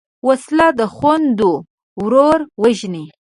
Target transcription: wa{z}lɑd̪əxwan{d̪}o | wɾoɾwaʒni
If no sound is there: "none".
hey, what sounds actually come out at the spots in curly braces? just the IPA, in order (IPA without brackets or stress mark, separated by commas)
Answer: s, d̪